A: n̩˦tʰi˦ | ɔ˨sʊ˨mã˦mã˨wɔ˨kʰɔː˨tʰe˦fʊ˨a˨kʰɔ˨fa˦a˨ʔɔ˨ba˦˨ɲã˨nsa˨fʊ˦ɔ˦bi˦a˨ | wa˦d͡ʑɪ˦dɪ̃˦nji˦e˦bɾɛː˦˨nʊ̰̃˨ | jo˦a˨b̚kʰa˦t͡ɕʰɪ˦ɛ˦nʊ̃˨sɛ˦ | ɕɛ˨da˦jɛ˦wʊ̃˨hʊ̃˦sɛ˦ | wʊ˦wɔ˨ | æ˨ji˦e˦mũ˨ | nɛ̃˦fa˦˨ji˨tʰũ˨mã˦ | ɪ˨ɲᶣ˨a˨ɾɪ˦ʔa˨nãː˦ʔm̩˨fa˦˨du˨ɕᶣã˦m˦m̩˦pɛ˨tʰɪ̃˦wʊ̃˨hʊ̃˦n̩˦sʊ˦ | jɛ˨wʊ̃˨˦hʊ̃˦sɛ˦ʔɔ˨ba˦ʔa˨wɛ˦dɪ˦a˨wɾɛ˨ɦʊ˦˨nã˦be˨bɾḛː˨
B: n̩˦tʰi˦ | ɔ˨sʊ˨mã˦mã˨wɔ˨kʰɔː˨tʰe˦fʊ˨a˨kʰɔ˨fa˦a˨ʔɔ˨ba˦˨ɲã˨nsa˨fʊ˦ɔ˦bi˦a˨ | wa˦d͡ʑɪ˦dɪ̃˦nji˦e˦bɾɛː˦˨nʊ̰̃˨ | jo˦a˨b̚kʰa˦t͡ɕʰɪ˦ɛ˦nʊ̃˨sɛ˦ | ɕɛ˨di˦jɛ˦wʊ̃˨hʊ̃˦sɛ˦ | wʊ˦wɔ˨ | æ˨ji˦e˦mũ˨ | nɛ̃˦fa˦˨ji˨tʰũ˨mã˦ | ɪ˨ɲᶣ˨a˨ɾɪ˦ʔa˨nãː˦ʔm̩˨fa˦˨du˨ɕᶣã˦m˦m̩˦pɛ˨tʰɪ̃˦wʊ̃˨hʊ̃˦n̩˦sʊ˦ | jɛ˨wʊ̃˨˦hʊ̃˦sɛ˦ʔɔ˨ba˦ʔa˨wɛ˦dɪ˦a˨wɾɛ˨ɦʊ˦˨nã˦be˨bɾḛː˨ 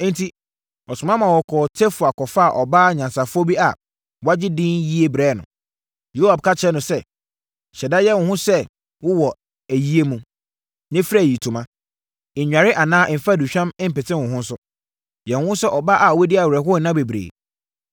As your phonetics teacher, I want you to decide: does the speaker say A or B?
A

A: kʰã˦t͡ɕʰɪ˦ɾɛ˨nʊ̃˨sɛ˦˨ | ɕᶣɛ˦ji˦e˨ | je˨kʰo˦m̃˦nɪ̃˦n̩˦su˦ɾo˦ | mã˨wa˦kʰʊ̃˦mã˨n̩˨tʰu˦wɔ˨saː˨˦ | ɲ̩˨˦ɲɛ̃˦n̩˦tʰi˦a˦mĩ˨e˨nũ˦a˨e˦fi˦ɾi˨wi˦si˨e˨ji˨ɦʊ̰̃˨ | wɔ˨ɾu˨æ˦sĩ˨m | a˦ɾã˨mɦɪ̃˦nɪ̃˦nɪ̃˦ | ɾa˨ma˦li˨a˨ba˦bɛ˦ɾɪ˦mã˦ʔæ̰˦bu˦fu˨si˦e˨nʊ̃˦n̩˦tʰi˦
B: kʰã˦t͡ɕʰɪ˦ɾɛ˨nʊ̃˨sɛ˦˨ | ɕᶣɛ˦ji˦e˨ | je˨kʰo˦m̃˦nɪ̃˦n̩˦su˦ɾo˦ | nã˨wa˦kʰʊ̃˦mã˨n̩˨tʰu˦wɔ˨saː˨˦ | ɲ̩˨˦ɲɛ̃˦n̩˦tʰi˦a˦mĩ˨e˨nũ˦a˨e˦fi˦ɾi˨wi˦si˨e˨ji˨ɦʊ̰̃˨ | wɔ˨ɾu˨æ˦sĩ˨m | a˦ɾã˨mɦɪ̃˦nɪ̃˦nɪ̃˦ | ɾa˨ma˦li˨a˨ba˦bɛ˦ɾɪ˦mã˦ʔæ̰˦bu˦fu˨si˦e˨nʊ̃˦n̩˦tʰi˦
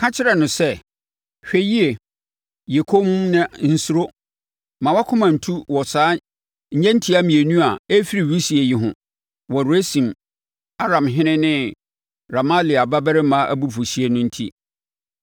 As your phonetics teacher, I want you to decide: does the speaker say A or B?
A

